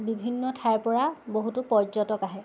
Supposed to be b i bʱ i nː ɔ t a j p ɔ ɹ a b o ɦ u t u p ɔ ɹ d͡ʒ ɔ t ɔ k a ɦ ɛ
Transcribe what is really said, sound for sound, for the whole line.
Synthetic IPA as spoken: b i bʱ i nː ɔ tʰ a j p ɔ ɹ a b o ɦ u t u p ɔ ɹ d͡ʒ ɔ t ɔ k a ɦ ɛ

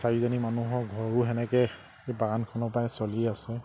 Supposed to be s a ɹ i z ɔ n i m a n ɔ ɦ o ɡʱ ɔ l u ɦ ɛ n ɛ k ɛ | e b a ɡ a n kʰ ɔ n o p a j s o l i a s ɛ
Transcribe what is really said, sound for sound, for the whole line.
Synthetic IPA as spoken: s a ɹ i z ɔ n i m a n u ɦ ɔ ɡʱ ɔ ɹ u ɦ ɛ n ɛ k ɛ | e b a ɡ a n kʰ ɔ n ɔ p a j s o l i a s ɛ

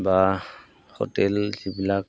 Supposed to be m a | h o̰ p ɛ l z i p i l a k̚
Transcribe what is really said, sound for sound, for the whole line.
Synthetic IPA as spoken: b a | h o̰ t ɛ l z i b i l a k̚

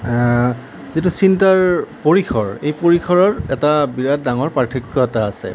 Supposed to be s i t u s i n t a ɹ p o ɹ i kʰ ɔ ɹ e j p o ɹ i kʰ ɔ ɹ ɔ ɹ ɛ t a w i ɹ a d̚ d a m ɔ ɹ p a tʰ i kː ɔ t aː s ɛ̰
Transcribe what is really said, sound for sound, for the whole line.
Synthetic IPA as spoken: z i t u s i n t a ɹ p o ɹ i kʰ ɔ ɹ e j p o ɹ i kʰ ɔ ɹ ɔ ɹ ɛ t a b i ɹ a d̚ d a ŋ ɔ ɹ p a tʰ i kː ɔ t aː s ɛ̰

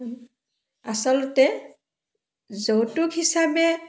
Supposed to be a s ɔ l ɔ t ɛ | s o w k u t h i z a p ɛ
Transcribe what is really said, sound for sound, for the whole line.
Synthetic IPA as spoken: a s ɔ l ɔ t ɛ | z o w t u k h i s a b ɛ

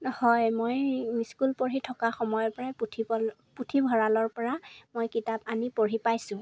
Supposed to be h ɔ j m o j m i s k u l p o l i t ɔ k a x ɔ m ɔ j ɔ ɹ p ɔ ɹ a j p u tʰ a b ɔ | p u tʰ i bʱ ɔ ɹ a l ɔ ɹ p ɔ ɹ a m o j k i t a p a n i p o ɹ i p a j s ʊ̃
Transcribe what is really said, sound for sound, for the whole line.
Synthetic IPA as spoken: h ɔ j m o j m i s k u l p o ɹ i tʰ ɔ k a x ɔ m ɔ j ɔ ɹ p ɔ ɹ a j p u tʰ i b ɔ | p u tʰ i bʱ ɔ ɹ a l ɔ ɹ p ɔ ɹ a m o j k i t a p a n i p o ɹ i p a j s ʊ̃

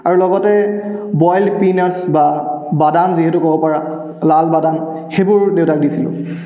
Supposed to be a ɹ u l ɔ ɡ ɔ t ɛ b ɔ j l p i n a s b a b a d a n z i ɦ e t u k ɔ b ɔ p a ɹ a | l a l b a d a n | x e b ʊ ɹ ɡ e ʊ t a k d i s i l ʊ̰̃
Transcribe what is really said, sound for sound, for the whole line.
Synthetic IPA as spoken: a ɹ u l ɔ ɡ ɔ t ɛ b ɔ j l p i n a s b a b a d a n z i ɦ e t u k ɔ b ɔ p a ɹ a | l a l b a d a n | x e b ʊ ɹ d e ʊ t a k d i s i l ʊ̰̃

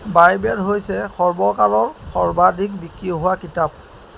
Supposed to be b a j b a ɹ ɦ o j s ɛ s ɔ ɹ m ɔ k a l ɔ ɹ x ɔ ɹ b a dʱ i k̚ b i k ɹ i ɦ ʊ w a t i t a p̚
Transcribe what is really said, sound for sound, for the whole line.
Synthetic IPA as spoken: b a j b ɛ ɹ ɦ o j s ɛ x ɔ ɹ b ɔ k a l ɔ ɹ x ɔ ɹ b a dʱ i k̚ b i k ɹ i ɦ ʊ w a k i t a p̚

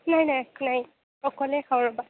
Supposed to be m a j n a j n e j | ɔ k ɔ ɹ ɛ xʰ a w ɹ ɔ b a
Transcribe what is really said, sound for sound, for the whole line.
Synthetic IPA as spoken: n a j n a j n a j | ɔ k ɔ l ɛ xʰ a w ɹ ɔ b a

